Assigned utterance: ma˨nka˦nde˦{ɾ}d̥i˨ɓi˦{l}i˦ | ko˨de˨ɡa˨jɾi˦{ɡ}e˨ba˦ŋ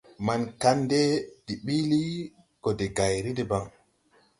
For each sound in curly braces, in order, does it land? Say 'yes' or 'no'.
no, yes, no

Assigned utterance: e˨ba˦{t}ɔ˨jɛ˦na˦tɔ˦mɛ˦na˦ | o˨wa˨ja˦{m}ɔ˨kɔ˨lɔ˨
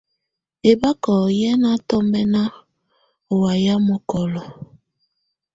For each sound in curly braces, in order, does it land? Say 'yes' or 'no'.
no, yes

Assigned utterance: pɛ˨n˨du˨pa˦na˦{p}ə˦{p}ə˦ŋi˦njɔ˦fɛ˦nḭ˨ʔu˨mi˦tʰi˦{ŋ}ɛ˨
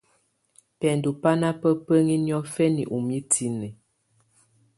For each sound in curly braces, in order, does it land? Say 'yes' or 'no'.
yes, yes, no

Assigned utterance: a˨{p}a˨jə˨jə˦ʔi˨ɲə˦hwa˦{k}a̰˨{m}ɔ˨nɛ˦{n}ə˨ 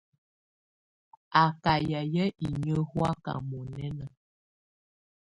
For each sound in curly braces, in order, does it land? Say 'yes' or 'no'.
no, yes, yes, yes

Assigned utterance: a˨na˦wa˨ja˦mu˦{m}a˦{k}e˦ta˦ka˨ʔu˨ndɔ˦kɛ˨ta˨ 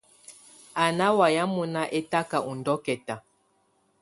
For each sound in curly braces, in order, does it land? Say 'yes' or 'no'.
no, no

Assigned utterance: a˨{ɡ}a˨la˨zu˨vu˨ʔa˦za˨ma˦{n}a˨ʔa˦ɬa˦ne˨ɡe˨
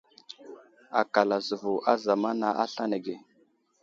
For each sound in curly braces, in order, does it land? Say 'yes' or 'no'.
no, yes

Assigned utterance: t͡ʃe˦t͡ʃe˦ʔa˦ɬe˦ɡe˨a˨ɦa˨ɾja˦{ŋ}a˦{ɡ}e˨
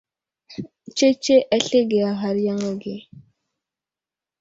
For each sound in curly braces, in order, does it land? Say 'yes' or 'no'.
yes, yes

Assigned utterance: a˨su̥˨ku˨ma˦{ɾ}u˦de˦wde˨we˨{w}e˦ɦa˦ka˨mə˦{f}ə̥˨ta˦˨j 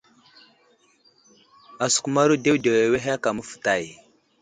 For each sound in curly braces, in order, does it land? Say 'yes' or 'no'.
yes, yes, yes

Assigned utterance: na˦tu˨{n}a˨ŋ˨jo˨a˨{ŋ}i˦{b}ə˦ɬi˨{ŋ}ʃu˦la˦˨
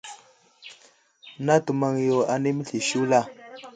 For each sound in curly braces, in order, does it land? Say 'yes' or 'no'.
no, no, no, no

